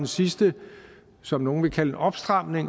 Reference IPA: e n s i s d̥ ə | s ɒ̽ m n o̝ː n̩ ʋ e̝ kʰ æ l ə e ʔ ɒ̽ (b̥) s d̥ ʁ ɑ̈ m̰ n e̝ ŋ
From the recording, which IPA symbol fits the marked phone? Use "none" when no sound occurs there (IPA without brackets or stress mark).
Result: b̥